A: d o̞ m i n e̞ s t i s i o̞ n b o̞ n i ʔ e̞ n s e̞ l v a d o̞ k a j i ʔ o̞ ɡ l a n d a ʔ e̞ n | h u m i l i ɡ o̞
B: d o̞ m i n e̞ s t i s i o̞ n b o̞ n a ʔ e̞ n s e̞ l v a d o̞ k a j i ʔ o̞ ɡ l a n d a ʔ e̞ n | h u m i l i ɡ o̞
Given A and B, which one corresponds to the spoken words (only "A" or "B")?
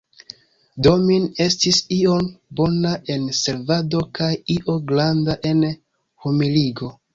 B